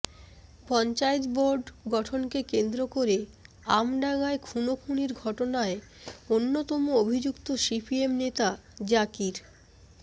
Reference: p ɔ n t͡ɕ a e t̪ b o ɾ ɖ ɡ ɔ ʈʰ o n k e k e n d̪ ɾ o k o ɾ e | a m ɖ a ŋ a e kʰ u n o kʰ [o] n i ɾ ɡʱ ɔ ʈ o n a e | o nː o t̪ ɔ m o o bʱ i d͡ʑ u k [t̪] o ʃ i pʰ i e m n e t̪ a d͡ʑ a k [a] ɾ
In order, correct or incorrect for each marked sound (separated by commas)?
incorrect, correct, incorrect